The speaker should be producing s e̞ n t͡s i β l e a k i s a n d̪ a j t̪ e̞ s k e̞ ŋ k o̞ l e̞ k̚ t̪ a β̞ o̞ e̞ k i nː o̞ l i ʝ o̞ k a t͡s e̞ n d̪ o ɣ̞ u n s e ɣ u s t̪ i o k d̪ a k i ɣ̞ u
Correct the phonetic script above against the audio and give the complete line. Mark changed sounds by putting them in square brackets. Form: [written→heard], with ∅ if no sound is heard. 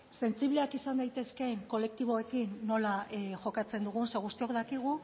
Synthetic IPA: s e̞ n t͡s i β l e a k i s a n d̪ a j t̪ e̞ s k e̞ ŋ k o̞ l e̞ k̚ t̪ [a→i] β̞ o̞ e̞ k i nː o̞ l [i→a] ʝ o̞ k a t͡s e̞ n d̪ [o→u] ɣ̞ u n s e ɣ u s t̪ i o k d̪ a k i ɣ̞ u